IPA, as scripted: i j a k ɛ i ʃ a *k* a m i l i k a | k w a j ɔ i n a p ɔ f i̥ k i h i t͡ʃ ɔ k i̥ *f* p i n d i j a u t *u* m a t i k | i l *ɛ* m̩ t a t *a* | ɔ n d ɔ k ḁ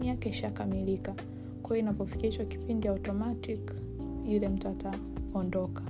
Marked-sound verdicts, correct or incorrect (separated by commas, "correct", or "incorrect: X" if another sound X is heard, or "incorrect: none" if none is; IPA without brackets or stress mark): correct, incorrect: none, incorrect: ɔ, correct, correct